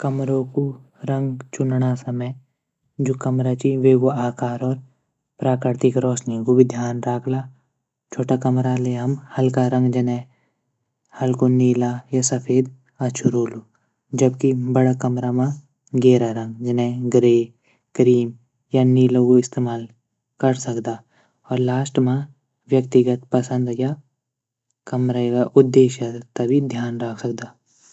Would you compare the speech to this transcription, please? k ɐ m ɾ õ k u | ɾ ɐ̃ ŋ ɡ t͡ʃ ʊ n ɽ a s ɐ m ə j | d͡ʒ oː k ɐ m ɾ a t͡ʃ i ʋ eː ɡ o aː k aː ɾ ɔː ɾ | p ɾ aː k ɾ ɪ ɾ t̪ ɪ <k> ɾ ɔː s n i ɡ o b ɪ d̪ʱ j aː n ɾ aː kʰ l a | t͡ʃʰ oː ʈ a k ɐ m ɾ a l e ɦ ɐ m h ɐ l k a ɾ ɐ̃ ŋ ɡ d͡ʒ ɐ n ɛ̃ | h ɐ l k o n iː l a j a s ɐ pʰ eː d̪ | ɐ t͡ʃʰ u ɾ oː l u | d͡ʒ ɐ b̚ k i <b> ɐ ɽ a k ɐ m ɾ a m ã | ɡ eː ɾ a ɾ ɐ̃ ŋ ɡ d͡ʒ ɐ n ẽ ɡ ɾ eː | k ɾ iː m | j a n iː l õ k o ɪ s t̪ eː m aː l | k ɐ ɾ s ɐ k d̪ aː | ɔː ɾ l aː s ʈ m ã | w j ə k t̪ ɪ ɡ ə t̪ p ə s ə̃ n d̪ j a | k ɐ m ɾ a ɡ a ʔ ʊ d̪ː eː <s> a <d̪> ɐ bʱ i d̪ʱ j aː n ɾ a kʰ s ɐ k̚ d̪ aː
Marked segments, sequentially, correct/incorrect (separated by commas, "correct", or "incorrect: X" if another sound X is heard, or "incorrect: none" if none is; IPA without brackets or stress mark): correct, correct, incorrect: ʃ, incorrect: t̪